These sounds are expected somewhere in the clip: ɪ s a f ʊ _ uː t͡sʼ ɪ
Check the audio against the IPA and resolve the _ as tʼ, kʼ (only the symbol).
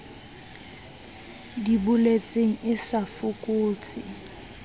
kʼ